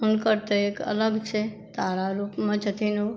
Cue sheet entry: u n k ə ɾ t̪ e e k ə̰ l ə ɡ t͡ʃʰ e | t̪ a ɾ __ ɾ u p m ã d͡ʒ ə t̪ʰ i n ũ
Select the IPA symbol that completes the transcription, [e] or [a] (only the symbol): a